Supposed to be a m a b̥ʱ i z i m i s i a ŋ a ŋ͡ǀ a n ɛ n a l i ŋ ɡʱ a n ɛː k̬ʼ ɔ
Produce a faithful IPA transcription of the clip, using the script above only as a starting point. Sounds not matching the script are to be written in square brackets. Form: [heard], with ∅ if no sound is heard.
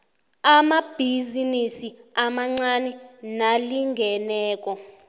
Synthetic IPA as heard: a m a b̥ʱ i z i [n] i s i a [m] a ŋ͡ǀ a n ɛ n a l i ŋ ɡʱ [ɛ] n ɛː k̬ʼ ɔ